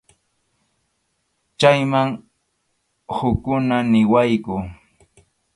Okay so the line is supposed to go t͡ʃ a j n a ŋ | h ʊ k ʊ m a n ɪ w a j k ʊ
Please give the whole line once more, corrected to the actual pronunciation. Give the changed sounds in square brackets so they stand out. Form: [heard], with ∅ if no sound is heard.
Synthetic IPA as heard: t͡ʃ a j [m] a ŋ | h ʊ k ʊ [n] a n ɪ w a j k ʊ